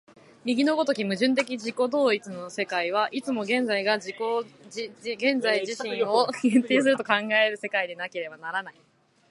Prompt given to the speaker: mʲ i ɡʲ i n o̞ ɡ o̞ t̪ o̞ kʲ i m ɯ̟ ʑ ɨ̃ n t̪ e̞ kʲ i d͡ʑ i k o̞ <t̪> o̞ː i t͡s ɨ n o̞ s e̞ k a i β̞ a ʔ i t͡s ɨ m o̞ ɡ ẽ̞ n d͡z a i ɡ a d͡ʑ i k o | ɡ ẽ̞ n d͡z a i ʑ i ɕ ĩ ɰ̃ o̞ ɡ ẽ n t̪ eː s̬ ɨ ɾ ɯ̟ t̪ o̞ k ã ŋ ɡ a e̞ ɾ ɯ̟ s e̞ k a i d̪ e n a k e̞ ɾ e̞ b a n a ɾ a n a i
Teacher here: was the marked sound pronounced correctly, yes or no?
no